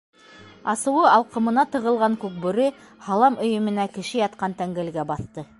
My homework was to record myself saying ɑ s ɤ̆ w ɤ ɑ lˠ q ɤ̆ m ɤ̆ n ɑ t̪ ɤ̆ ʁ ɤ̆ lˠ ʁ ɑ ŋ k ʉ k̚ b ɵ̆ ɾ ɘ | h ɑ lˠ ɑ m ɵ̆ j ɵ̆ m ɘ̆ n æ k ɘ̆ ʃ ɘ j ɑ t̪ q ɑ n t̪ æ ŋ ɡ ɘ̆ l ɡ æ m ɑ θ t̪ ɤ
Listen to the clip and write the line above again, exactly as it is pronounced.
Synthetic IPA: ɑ s ɤ̆ w ɤ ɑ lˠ q ɤ̆ m ɤ̆ n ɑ t̪ ɤ̆ ʁ ɤ̆ lˠ ʁ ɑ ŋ k ʉ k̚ b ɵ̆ ɾ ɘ | h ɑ lˠ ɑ m ɵ̆ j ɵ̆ m ɘ̆ n æ k ɘ̆ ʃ ɘ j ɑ t̪ q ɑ n t̪ æ ŋ ɡ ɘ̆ l ɡ æ b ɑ θ t̪ ɤ